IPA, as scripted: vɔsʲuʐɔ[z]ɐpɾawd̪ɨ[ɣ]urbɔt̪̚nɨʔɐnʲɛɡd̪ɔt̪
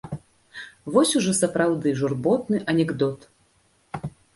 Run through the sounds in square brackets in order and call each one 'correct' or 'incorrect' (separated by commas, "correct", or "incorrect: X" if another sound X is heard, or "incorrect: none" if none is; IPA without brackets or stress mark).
incorrect: s, incorrect: ʐ